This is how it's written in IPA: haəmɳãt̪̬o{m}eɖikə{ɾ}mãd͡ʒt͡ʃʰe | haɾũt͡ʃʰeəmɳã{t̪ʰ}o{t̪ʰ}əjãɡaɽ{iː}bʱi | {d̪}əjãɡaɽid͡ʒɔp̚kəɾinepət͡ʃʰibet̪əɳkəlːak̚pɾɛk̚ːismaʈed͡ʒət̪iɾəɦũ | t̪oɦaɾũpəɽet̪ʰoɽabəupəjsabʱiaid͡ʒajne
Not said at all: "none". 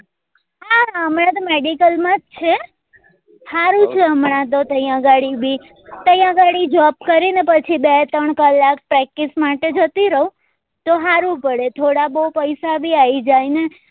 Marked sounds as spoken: m, l, t̪, t̪, i, t̪

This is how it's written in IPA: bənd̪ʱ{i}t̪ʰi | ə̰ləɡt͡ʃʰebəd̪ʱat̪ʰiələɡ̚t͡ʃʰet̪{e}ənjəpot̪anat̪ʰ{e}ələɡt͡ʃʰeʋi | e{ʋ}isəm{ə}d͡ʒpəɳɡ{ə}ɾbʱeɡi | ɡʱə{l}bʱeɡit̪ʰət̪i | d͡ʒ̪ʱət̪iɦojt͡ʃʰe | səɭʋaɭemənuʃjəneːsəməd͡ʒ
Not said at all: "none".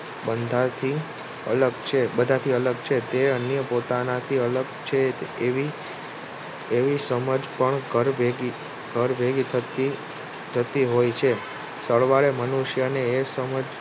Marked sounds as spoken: a, e, i, ʋ, ə, ə, ɾ

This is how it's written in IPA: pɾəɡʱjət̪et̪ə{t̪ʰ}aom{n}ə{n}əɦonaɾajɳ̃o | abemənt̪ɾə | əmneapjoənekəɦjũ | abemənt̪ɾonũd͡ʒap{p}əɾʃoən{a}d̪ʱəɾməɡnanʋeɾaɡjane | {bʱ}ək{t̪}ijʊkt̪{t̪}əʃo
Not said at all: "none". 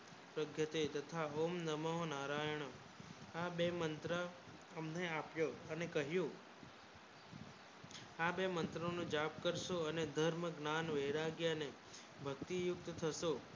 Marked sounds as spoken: t̪ʰ, n, m, k, e, bʱ, t̪, t̪ʰ

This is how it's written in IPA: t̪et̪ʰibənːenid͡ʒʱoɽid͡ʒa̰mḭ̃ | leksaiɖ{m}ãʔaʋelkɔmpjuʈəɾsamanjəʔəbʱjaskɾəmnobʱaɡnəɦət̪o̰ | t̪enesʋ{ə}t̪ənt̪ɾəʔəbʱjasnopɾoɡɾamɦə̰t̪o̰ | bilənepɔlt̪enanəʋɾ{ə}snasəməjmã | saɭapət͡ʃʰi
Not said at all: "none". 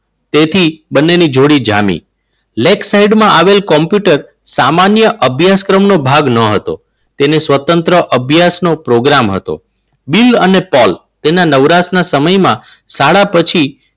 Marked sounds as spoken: m, ə, a

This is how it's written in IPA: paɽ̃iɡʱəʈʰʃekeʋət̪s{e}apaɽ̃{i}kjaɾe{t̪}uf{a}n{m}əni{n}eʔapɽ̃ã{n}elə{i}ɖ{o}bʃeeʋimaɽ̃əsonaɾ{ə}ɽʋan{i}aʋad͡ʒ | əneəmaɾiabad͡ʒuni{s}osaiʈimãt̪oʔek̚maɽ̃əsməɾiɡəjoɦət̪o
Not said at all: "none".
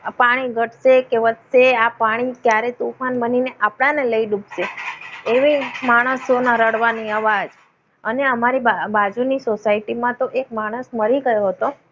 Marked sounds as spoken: e, i, t̪, a, b, n, n, i, u, ə, i, s

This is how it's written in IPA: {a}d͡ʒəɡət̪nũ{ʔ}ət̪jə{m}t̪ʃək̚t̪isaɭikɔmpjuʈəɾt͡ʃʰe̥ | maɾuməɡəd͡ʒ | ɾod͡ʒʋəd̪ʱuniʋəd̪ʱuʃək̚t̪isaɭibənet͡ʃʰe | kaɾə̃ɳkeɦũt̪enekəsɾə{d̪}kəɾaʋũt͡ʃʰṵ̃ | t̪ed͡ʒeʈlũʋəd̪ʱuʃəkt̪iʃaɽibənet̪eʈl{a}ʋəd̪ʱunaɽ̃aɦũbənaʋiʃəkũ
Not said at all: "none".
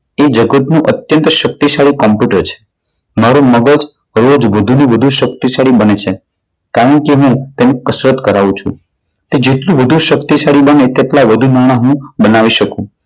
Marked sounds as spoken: e, ʔ, n, t̪, a

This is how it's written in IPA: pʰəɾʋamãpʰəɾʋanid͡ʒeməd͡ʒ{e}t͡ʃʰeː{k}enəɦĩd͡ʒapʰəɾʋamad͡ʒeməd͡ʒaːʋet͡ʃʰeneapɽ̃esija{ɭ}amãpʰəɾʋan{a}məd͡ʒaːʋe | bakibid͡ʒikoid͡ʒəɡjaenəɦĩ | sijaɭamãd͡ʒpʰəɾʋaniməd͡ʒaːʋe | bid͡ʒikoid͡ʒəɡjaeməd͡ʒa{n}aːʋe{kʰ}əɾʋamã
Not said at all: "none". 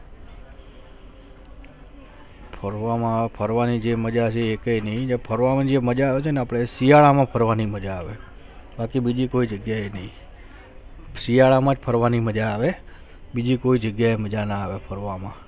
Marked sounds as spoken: a, k, ɭ, i, n, pʰ

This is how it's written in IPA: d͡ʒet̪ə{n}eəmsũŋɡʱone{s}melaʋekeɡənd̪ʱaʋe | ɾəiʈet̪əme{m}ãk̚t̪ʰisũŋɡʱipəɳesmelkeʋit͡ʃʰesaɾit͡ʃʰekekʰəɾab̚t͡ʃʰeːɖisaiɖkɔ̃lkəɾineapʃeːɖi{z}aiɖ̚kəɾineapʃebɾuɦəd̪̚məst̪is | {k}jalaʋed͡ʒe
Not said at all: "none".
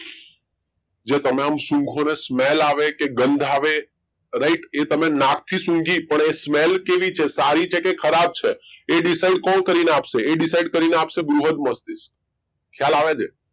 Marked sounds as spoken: m, s, n, s, kʰ

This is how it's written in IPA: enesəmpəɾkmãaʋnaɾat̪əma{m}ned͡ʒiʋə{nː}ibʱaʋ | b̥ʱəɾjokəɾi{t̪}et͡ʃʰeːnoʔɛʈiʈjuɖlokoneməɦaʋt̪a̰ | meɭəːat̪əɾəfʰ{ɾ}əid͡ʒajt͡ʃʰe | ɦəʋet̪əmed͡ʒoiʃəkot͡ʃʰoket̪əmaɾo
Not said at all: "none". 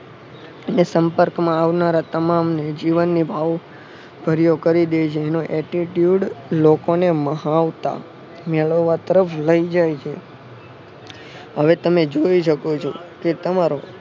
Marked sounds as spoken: m, nː, d̪, l

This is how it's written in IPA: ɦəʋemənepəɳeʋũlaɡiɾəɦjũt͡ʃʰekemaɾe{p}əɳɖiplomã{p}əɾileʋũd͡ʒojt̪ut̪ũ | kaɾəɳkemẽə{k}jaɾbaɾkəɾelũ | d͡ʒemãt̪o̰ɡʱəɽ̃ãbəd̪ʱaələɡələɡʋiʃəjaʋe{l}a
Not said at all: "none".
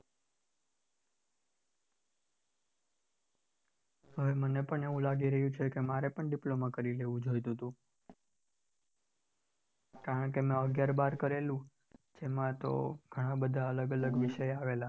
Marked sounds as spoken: p, k, ɡ, l

